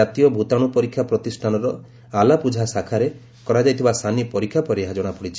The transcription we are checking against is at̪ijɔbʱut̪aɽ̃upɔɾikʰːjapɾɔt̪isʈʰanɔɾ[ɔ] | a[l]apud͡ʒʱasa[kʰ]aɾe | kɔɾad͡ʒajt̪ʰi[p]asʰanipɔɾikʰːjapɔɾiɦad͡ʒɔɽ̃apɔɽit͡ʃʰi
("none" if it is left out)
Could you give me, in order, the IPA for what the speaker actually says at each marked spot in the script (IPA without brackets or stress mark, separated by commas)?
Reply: ɔ, l, kʰ, b